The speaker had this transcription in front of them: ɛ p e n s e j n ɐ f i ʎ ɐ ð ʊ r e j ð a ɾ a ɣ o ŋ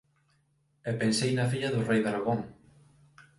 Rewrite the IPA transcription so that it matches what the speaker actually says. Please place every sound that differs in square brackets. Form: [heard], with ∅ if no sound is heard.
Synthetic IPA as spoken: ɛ p e n s e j n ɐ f i ʎ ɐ ð ʊ r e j ð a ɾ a ɣ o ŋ